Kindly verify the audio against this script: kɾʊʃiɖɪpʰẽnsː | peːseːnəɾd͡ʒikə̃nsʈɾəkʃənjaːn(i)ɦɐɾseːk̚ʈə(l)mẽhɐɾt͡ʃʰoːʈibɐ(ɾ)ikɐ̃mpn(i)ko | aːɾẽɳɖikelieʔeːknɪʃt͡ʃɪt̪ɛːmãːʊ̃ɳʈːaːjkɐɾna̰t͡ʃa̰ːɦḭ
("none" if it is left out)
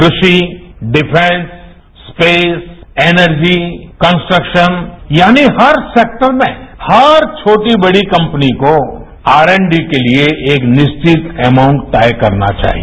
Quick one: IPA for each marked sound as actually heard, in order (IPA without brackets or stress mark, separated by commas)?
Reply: i, ɾ, ɽ, i